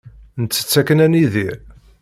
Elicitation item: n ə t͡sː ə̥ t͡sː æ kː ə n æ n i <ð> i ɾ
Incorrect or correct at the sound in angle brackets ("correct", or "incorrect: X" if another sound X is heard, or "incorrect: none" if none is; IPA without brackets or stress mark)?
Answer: correct